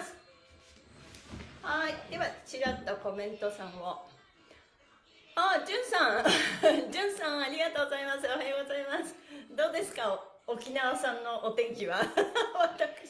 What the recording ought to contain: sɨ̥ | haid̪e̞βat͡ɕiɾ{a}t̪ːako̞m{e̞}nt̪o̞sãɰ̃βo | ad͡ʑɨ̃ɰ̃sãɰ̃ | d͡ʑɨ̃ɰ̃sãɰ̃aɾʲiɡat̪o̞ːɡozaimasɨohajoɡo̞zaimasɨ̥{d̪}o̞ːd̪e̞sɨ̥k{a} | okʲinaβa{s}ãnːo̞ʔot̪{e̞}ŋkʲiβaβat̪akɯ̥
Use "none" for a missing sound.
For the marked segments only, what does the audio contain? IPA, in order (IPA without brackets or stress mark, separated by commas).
a, ẽ̞, d̪, a, s, ẽ̞